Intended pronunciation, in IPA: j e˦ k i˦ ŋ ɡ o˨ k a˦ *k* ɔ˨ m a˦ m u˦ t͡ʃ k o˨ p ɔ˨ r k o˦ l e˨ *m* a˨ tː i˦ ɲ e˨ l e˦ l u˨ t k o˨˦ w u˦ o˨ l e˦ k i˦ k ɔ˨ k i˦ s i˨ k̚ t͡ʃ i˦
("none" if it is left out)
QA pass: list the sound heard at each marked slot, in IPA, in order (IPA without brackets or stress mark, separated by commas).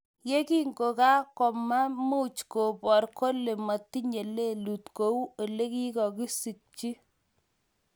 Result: k, m